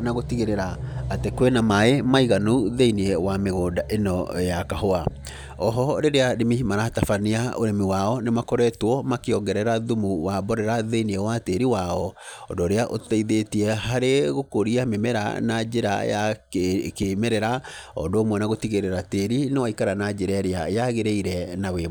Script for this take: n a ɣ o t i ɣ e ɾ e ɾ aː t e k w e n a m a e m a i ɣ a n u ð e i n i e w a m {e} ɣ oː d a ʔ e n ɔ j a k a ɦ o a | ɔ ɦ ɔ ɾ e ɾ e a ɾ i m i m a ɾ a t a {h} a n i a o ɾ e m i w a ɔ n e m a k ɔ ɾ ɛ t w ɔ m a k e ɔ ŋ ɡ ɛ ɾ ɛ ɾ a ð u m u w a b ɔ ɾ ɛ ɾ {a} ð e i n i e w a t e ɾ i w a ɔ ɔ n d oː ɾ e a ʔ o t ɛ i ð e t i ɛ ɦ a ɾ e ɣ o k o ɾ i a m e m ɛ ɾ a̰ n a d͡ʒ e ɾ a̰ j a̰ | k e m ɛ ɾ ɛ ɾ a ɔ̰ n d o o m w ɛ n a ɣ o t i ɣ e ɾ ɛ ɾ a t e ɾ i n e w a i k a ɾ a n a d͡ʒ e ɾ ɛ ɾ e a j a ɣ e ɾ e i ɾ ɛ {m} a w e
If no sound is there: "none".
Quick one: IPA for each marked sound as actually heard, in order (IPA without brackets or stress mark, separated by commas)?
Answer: e, f, a, n